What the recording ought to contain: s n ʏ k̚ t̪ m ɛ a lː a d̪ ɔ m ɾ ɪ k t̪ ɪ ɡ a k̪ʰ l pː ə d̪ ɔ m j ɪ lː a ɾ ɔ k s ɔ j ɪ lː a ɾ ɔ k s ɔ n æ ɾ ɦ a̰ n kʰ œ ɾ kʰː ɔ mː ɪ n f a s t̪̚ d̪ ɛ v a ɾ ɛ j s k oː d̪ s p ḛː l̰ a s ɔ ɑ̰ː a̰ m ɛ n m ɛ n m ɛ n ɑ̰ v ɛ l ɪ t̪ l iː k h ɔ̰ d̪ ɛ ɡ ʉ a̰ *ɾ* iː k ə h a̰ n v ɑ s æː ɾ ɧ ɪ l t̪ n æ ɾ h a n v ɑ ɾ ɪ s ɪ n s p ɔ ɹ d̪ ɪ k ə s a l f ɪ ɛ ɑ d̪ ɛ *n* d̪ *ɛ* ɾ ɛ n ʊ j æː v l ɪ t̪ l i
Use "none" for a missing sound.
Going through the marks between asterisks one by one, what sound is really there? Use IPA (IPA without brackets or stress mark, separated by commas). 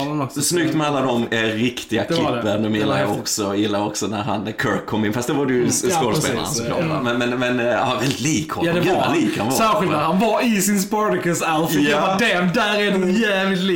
l, m, æ